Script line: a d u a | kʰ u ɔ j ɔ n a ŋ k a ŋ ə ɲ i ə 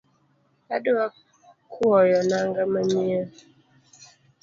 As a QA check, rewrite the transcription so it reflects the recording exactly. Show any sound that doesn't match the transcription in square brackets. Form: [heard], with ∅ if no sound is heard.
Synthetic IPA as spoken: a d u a | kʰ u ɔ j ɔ n a ŋ [ɡ] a [m] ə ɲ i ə